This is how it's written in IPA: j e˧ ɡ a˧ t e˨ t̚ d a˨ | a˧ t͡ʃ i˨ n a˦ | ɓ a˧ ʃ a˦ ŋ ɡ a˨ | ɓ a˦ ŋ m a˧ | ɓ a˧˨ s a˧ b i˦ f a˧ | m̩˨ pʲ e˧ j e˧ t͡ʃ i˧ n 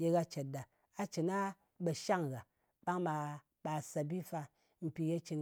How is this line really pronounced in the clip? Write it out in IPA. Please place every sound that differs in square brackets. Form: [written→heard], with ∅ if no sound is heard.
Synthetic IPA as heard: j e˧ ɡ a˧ [t→t͡ʃ] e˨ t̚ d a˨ | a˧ t͡ʃ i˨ n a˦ | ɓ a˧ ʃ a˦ ŋ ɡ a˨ | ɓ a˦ ŋ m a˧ | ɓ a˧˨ s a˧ b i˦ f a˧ | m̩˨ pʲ [e˧→i˧] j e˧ t͡ʃ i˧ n